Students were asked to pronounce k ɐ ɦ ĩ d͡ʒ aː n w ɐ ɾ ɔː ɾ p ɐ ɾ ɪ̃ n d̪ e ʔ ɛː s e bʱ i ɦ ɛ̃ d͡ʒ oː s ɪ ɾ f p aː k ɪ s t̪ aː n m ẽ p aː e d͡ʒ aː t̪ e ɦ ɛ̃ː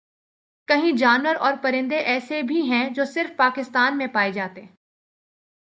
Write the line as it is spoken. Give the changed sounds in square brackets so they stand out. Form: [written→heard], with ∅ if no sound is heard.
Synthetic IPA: k ɐ ɦ ĩ d͡ʒ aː n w [ɐ→ə] ɾ ɔː ɾ p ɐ ɾ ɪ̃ n d̪ e ʔ ɛː s e bʱ i ɦ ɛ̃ d͡ʒ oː s ɪ ɾ f p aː k ɪ s t̪ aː n m ẽ p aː e d͡ʒ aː t̪ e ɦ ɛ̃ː